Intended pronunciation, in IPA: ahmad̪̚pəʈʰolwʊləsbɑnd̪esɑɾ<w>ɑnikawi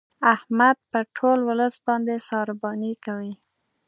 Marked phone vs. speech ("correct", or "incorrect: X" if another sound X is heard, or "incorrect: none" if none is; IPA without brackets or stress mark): incorrect: b